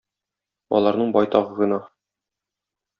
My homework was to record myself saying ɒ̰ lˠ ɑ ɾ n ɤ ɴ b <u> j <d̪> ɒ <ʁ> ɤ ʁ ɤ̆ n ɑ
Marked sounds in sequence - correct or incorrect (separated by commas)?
incorrect, incorrect, correct